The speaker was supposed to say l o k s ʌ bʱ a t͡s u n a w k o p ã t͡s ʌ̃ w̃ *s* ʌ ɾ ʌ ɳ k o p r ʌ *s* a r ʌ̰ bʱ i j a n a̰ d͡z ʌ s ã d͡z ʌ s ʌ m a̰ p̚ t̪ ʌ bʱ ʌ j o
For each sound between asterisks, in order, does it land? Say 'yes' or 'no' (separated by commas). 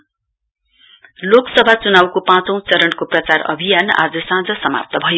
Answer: no, no